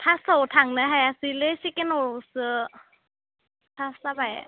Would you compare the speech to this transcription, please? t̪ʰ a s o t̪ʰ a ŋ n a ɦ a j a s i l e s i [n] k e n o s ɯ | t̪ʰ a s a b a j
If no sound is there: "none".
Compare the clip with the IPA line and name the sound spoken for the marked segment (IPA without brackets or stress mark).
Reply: none